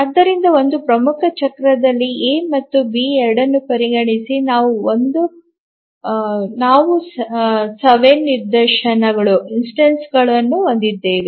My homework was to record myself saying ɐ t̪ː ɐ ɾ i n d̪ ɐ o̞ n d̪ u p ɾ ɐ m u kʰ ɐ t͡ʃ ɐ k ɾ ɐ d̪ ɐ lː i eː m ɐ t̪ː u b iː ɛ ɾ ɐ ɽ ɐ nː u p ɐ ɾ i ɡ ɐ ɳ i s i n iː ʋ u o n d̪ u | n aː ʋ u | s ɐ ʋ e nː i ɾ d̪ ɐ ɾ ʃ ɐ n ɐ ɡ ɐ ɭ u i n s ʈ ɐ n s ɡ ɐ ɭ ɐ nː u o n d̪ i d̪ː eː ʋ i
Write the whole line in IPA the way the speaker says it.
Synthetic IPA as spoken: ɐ d̪ː ɐ ɾ i n d̪ ɐ o̞ n d̪ u p ɾ ɐ m u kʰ ɐ t͡ʃ ɐ k ɾ ɐ d̪ ɐ lː i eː m ɐ t̪ː u b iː ɛ ɾ ɐ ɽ ɐ nː u p ɐ ɾ i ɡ ɐ ɳ i s i n aː ʋ u o n d̪ u | n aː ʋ u | s ɐ ʋ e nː i ɾ d̪ ɐ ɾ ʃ ɐ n ɐ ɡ ɐ ɭ u i n s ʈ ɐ n s ɡ ɐ ɭ ɐ nː u o n d̪ i d̪ː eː ʋ i